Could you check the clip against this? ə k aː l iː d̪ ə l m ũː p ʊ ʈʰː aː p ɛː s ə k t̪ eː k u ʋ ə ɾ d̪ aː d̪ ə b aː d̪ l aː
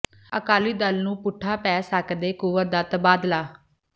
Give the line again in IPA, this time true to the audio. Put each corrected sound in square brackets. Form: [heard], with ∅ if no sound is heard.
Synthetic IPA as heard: ə k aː l iː d̪ ə l [n] ũː p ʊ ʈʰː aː p ɛː s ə k [d̪] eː k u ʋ ə ɾ d̪ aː [t̪] ə b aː d̪ l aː

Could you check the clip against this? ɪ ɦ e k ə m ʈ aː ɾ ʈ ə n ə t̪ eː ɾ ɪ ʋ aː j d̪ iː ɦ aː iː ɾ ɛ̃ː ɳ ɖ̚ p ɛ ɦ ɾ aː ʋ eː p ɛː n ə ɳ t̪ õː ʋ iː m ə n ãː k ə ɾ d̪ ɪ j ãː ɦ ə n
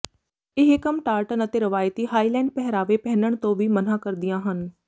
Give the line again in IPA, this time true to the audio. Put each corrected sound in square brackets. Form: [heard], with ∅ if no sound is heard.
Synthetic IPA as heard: ɪ ɦ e k ə m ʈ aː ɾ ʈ ə n ə t̪ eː ɾ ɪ ʋ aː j [t̪] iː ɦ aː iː [l] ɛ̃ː ɳ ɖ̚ p ɛ ɦ ɾ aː ʋ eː p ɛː n ə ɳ t̪ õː ʋ iː m ə n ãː k ə ɾ d̪ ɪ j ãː ɦ ə n

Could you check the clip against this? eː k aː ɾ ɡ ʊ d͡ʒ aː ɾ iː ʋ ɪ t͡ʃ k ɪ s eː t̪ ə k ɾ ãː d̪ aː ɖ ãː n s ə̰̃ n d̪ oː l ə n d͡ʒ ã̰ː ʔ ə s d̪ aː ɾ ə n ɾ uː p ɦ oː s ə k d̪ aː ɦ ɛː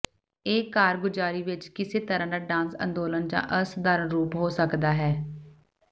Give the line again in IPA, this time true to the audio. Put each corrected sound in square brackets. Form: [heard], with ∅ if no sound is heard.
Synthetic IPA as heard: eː k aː ɾ ɡ ʊ d͡ʒ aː ɾ iː ʋ ɪ t͡ʃ k ɪ s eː t̪ ə [∅] ɾ ãː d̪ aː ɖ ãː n s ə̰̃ n d̪ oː l ə n d͡ʒ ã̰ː ʔ ə s d̪ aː ɾ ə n ɾ uː p ɦ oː s ə k d̪ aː ɦ ɛː

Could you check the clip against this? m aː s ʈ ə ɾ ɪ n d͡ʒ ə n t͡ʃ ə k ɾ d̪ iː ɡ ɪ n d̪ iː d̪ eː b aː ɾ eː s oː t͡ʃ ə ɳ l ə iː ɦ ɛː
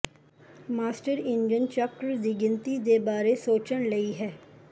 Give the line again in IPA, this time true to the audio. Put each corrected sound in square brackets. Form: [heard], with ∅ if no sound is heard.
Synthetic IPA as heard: m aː s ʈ ə ɾ ɪ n d͡ʒ ə n t͡ʃ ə k ɾ d̪ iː ɡ ɪ n [t̪] iː d̪ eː b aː ɾ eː s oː t͡ʃ ə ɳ l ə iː ɦ ɛː

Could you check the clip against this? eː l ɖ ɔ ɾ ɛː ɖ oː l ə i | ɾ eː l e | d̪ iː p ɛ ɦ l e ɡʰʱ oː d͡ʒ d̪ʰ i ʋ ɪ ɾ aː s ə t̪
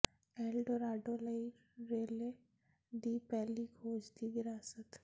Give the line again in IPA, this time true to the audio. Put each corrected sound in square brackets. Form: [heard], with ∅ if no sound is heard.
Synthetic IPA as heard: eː l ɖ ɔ ɾ [aː] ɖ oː l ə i | ɾ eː l e | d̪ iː p ɛ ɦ l [i] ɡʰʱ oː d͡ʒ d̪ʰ i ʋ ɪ ɾ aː s ə t̪

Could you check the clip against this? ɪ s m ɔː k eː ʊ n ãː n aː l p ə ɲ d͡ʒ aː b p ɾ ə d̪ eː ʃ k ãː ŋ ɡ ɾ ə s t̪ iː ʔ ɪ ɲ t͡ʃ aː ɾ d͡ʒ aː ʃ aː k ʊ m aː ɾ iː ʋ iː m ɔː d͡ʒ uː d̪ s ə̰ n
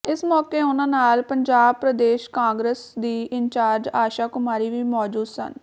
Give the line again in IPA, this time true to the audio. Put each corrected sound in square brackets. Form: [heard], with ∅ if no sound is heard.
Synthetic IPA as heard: ɪ s m ɔː k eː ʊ n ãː n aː l p ə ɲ d͡ʒ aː b p ɾ ə d̪ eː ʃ k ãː ŋ ɡ ɾ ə s [d̪] iː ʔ ɪ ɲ t͡ʃ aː ɾ d͡ʒ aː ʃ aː k ʊ m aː ɾ iː ʋ iː m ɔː d͡ʒ uː d̪ s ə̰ n

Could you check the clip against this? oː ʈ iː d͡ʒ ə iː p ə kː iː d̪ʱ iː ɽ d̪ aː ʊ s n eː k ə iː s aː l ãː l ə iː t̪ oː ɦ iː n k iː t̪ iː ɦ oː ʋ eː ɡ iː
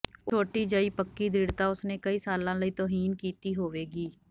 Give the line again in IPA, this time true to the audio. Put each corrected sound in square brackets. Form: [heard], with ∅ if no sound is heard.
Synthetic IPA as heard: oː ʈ iː d͡ʒ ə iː p ə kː iː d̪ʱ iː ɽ [t̪] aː ʊ s n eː k ə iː s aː l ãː l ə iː t̪ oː ɦ iː n k iː t̪ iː ɦ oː ʋ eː ɡ iː

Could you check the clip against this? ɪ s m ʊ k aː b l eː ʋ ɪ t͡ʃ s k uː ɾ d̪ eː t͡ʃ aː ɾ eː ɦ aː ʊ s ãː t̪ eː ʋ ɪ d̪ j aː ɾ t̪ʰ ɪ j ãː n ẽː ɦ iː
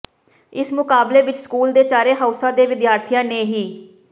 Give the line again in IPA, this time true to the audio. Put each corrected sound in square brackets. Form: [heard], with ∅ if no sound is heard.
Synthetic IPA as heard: ɪ s m ʊ k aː b l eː ʋ ɪ t͡ʃ s k uː [l] d̪ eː t͡ʃ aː ɾ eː ɦ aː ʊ s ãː [d̪] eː ʋ ɪ d̪ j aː ɾ t̪ʰ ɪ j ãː n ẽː ɦ iː

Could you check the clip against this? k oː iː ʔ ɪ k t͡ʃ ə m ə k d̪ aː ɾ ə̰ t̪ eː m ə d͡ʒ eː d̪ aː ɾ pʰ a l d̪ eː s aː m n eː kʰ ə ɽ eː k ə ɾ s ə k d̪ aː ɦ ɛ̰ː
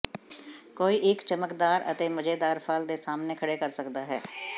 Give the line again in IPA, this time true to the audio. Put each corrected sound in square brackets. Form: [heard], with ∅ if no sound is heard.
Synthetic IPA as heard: k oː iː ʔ ɪ k t͡ʃ ə m ə k d̪ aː ɾ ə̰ t̪ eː m ə d͡ʒ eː d̪ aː ɾ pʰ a l d̪ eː s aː m n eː kʰ ə ɽ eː k ə ɾ s ə k d̪ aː ɦ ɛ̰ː

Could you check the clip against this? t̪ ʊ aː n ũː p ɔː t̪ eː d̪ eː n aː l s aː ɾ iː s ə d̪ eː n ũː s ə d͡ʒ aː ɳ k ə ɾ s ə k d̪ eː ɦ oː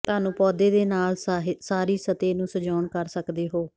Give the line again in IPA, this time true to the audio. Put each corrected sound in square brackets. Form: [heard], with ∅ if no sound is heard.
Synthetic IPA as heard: t̪ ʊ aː n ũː p ɔː [d̪] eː d̪ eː n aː l s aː ɾ iː s ə [t̪] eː n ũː s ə d͡ʒ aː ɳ k ə ɾ s ə k d̪ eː ɦ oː

